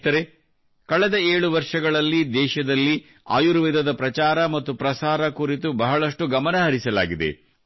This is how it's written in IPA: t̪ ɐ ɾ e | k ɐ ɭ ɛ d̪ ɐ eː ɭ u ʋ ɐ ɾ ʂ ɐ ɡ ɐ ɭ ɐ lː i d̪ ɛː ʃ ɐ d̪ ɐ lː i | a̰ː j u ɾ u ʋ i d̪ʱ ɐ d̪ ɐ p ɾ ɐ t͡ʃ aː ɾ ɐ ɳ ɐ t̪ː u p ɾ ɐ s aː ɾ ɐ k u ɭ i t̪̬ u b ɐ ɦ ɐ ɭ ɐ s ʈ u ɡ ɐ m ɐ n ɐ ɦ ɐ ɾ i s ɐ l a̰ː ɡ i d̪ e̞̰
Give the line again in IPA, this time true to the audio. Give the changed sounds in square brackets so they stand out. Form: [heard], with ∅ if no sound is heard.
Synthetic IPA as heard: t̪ ɐ ɾ e | k ɐ ɭ ɛ d̪ ɐ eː ɭ u ʋ ɐ ɾ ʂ ɐ ɡ ɐ ɭ ɐ lː i d̪ ɛː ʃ ɐ d̪ ɐ lː i | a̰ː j u ɾ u ʋ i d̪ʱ ɐ d̪ ɐ p ɾ ɐ t͡ʃ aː ɾ ɐ [m] ɐ t̪ː u p ɾ ɐ s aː ɾ ɐ k u [ɾ] i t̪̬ u b ɐ ɦ ɐ ɭ ɐ [ʂ] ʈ u ɡ ɐ m ɐ n ɐ ɦ ɐ ɾ i s ɐ l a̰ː ɡ i d̪ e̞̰